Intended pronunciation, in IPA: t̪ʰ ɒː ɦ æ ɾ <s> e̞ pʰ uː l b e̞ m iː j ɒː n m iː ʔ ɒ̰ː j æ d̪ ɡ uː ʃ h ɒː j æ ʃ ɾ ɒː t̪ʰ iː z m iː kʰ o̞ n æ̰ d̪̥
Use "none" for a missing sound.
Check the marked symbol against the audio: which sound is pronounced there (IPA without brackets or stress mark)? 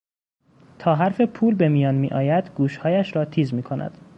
f